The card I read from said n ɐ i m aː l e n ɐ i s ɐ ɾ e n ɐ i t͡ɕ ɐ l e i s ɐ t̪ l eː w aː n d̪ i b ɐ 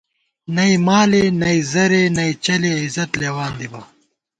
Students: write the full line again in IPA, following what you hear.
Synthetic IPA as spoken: n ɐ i m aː l e n ɐ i z ɐ ɾ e n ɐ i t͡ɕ ɐ l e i z ɐ t̪ l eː w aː n d̪ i b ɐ